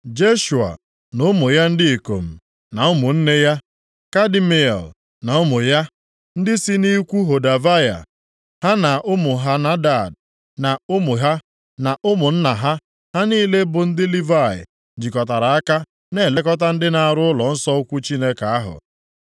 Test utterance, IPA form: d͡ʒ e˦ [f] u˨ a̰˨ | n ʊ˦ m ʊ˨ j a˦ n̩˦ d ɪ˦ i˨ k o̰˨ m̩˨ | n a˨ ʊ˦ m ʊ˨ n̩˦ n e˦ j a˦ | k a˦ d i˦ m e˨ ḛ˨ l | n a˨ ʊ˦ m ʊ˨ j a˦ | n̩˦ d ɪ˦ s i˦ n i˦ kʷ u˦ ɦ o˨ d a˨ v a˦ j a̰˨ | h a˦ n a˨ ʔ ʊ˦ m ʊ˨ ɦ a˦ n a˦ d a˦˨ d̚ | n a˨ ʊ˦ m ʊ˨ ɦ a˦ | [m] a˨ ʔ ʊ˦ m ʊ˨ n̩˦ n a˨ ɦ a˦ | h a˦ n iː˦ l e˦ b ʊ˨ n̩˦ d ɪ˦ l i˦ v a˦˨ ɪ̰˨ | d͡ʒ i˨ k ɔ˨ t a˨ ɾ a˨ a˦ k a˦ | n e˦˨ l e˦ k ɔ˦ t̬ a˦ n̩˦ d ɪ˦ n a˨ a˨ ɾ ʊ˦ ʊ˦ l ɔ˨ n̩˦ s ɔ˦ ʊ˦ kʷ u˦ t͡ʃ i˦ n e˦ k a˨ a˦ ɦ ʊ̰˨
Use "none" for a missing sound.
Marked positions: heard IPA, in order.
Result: ʃ, n

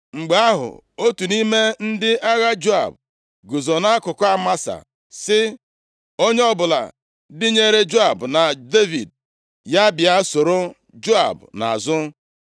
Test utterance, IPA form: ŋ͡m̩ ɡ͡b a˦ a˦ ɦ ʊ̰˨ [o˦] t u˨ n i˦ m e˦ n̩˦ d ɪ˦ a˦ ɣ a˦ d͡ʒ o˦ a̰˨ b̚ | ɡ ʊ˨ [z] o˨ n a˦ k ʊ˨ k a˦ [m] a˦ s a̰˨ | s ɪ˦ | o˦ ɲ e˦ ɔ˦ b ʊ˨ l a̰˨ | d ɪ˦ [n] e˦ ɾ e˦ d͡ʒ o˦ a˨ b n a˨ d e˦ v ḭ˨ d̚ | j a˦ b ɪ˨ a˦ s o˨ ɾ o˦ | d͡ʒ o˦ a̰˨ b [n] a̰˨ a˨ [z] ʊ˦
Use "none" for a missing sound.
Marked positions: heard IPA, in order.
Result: o˦, z, m, ɲ, n, z

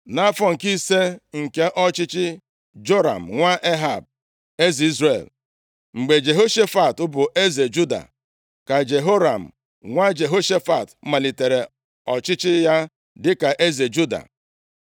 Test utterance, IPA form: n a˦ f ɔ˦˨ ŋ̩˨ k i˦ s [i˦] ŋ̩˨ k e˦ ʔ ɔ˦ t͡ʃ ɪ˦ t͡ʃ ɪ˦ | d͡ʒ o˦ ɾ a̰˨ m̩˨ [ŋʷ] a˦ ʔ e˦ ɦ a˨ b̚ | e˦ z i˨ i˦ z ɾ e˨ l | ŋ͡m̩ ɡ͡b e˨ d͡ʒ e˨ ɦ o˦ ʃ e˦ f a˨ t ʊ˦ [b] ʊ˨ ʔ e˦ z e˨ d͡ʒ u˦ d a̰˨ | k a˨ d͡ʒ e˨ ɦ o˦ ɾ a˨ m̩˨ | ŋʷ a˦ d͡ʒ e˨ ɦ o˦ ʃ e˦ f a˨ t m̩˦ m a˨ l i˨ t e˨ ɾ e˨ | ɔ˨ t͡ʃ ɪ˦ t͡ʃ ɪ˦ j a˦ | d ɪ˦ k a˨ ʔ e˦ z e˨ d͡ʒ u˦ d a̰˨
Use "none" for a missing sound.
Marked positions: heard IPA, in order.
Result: e˦, ŋʷ, b

